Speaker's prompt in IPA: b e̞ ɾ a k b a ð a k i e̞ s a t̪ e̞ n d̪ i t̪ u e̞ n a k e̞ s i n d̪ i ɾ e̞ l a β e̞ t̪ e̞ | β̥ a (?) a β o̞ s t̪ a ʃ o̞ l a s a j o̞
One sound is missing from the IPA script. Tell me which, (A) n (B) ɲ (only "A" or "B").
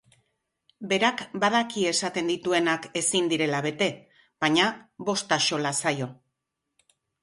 B